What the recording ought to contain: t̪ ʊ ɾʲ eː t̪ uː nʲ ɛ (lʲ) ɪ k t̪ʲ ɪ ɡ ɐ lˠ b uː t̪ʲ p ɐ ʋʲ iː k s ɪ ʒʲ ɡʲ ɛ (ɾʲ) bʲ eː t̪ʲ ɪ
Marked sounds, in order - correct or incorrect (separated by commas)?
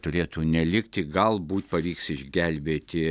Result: correct, incorrect